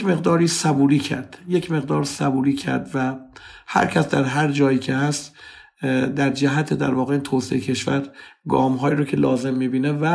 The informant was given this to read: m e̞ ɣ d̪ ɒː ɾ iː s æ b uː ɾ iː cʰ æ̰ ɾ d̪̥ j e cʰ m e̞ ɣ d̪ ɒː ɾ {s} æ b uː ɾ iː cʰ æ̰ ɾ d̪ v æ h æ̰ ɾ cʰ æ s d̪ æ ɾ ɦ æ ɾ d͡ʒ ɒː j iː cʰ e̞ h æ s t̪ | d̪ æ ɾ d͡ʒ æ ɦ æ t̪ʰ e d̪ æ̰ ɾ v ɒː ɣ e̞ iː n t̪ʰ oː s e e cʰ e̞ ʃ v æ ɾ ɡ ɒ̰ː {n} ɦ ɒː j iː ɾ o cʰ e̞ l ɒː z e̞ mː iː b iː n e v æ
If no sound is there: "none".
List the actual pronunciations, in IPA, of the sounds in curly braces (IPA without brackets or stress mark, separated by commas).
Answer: s, m